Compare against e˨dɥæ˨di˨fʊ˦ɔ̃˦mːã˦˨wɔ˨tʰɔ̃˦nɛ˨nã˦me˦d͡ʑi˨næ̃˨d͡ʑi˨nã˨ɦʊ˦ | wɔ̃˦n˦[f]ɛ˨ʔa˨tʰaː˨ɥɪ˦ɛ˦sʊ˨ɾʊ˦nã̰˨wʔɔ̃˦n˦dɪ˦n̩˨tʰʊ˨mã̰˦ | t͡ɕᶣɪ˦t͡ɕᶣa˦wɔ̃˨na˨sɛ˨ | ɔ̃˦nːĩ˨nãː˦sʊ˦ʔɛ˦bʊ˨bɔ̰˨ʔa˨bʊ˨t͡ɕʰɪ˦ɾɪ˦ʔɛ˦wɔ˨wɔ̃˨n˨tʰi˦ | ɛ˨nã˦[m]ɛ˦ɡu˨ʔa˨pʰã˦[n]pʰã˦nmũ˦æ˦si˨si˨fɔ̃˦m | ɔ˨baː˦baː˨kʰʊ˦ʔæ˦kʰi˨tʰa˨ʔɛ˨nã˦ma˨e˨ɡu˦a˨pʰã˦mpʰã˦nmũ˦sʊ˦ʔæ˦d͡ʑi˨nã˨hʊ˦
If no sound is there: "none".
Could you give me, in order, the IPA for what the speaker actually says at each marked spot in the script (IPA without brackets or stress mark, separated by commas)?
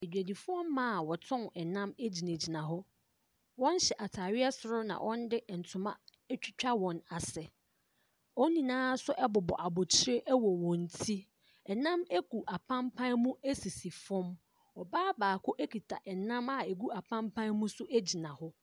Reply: ɕ, m, m